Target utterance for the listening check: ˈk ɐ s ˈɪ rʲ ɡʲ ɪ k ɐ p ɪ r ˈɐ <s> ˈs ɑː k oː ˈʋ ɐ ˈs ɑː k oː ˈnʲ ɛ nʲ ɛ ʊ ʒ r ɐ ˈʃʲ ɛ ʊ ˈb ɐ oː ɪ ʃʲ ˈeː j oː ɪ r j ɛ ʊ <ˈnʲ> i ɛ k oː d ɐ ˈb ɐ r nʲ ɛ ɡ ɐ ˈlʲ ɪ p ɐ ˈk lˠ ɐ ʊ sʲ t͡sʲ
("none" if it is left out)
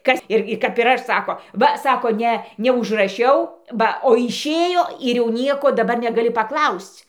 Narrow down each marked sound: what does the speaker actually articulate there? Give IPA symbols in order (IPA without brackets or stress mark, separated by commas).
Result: ʃ, nʲ